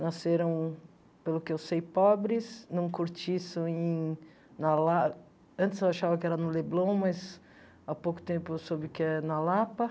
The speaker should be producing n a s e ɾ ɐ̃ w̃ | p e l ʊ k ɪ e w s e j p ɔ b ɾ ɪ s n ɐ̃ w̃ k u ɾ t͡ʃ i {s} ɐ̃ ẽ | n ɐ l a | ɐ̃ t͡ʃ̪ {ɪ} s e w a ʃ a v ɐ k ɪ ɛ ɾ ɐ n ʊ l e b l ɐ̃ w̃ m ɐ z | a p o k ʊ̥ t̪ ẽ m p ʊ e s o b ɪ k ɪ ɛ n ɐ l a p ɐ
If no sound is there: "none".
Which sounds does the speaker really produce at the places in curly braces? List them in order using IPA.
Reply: s, ɪ

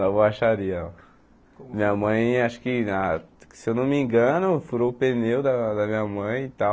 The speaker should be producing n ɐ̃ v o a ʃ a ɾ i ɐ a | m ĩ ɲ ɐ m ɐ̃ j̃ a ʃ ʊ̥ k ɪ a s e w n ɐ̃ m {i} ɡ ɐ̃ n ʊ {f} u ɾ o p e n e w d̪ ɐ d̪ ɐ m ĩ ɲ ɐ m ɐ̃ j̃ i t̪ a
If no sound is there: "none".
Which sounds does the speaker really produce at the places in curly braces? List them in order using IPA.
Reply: ĩ, f

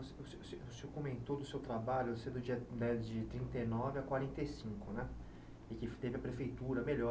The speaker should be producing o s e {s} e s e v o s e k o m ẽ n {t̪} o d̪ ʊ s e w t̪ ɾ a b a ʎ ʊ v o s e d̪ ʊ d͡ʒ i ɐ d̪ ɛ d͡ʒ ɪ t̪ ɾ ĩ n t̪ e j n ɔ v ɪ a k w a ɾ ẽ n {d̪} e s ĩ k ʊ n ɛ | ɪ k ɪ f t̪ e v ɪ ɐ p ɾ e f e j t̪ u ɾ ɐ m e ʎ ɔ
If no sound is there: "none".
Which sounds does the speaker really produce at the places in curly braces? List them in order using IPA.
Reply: s, t̪, t̪

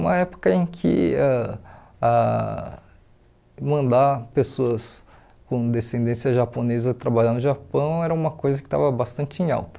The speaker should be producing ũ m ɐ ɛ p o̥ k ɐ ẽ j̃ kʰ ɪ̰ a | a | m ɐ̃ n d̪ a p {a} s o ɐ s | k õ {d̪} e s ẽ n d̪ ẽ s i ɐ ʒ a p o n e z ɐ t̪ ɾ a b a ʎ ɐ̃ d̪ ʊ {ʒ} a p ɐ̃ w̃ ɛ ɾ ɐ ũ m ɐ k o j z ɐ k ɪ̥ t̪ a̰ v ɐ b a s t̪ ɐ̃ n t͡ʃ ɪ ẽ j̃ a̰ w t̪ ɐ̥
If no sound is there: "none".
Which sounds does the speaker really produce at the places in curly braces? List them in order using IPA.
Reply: e, d̪, ʒ

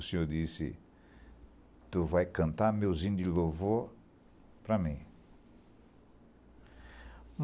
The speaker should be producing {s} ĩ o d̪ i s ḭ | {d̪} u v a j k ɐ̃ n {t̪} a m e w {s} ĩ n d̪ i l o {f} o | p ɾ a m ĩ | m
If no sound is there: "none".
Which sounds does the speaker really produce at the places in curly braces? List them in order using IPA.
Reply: s, t̪, t̪, z, v

